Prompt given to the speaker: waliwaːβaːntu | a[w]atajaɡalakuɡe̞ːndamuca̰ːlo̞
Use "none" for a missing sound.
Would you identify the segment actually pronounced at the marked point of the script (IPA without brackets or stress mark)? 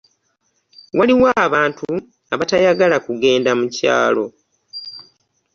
β